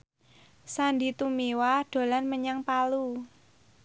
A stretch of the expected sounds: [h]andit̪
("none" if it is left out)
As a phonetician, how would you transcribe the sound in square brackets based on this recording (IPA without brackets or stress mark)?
s